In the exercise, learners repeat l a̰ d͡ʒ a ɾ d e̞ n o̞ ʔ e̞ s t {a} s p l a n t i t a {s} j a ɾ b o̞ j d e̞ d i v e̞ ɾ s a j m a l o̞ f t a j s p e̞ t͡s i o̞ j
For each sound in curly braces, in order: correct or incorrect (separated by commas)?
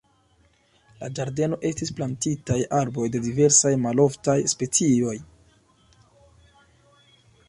incorrect, incorrect